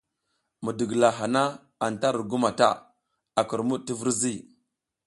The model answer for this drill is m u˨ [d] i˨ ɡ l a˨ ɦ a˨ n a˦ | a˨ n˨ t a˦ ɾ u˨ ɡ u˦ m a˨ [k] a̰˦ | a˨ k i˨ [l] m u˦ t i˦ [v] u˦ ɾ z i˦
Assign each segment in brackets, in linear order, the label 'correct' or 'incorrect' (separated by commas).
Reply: correct, incorrect, incorrect, correct